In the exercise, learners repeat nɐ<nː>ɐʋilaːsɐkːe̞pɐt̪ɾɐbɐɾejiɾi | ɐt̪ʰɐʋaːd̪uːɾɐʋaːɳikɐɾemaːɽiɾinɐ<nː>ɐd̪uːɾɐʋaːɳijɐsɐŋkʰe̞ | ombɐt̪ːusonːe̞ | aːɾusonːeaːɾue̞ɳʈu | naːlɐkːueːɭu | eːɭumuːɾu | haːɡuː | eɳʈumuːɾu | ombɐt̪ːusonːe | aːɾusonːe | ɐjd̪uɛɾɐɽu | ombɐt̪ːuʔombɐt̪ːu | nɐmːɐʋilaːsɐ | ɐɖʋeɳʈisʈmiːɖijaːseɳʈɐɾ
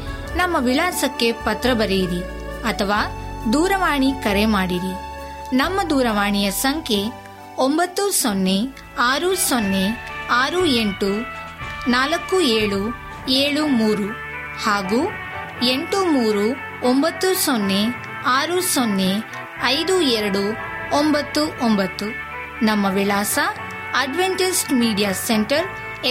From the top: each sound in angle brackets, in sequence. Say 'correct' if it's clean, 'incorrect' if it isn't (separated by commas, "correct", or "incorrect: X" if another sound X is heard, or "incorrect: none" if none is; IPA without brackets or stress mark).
incorrect: mː, incorrect: mː